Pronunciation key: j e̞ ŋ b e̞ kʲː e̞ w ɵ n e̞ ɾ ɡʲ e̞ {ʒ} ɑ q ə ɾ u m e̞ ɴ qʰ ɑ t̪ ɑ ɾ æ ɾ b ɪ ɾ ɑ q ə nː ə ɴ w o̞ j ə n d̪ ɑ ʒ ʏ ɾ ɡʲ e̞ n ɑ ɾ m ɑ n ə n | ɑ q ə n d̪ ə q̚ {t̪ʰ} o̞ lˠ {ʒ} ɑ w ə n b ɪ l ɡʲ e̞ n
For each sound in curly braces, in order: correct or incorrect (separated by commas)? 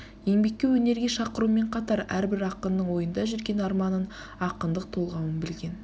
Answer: incorrect, correct, incorrect